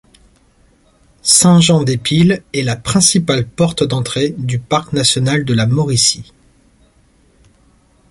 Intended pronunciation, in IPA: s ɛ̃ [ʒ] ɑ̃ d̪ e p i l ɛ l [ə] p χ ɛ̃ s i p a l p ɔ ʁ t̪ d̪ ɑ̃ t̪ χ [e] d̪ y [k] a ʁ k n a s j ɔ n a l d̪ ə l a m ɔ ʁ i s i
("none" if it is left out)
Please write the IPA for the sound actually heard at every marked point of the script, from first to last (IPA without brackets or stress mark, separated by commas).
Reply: ʒ, a, e, p